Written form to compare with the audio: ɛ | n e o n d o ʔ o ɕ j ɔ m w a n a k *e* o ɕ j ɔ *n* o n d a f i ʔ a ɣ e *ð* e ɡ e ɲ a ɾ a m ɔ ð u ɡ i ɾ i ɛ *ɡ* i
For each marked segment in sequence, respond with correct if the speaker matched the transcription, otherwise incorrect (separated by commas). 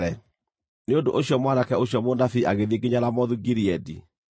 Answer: incorrect, incorrect, correct, incorrect